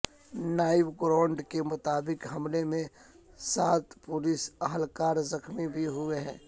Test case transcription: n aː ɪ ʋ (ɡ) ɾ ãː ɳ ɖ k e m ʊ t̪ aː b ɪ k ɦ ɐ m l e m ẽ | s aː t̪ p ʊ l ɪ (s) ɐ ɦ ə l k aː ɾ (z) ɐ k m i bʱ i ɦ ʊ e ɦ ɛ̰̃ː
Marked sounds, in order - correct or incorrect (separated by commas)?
correct, correct, correct